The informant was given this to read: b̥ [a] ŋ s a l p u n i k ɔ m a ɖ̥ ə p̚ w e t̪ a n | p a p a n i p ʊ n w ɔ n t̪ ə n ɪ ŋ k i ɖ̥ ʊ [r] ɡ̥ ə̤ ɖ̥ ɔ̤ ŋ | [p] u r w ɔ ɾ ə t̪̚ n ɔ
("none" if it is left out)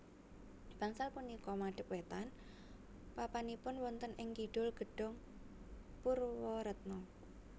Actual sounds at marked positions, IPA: a, l, p

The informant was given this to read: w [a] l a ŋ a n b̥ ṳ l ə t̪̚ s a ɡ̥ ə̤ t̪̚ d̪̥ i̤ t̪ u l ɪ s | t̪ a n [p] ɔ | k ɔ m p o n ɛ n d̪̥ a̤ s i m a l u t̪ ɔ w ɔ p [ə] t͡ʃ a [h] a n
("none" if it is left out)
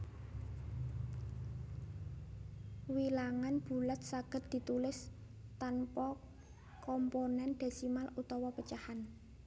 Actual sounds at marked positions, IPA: i, p, ə, h

